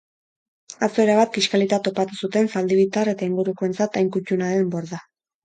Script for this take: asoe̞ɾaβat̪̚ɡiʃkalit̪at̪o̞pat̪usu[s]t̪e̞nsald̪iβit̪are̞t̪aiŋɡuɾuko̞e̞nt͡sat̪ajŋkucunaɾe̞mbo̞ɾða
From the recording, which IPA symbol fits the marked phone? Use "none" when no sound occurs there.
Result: none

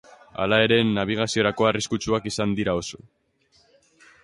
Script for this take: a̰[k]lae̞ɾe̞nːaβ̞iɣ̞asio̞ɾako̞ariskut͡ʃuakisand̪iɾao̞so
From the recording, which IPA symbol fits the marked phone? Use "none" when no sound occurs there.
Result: none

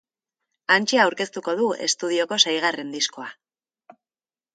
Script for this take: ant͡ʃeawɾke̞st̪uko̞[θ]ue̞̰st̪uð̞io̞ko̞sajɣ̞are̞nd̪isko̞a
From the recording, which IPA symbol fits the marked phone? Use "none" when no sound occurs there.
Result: ð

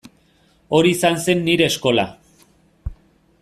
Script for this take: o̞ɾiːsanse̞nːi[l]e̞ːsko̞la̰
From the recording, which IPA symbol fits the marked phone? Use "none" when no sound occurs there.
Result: ɾ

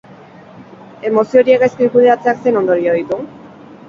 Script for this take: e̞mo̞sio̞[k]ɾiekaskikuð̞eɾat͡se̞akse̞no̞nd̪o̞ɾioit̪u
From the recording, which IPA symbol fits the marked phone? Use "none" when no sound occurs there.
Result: none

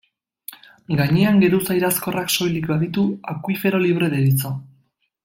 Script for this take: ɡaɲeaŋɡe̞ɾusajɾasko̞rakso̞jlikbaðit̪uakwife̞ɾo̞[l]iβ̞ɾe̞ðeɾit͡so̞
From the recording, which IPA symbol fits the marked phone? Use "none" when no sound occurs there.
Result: l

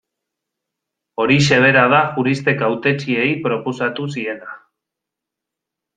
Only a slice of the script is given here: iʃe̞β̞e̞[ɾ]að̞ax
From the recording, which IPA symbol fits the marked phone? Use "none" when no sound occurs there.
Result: ɾ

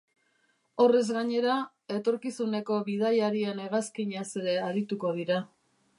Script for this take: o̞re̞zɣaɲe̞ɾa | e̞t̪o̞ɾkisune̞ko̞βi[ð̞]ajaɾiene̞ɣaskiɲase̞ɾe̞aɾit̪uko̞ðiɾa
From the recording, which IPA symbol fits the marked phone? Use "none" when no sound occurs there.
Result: ð̞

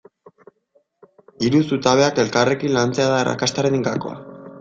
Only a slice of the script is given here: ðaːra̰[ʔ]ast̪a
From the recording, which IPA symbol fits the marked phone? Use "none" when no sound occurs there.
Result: k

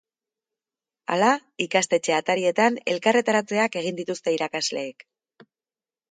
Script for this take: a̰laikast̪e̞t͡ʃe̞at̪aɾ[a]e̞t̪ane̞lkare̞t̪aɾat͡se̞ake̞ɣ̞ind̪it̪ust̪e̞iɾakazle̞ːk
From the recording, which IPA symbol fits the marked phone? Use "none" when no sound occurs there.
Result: i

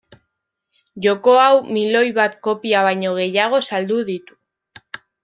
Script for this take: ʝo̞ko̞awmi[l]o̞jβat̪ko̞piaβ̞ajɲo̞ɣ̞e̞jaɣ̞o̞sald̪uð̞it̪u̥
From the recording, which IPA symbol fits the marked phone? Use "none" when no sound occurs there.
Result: l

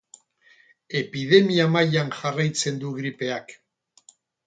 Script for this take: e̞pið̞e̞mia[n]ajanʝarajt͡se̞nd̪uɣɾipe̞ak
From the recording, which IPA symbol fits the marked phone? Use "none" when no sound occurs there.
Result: m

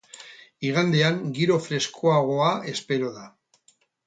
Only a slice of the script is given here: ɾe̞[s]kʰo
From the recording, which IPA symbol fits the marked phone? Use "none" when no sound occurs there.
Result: s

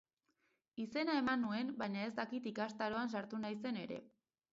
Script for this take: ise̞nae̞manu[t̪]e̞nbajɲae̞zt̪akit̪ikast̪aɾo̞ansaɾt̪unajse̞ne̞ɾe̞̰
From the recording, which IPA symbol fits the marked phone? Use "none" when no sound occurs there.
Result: none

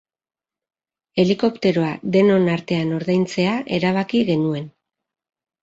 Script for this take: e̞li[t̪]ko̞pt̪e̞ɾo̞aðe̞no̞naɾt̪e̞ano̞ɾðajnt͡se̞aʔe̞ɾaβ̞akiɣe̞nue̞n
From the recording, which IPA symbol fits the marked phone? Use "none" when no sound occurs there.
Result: none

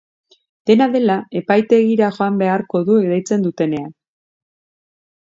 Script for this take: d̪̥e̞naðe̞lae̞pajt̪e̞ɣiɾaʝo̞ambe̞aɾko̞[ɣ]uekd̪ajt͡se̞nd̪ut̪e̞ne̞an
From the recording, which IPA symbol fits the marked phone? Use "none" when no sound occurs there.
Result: ð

